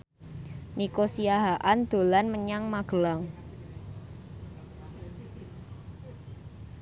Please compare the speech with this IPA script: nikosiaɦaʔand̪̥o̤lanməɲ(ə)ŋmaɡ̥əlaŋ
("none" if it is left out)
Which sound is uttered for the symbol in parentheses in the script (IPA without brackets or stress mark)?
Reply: a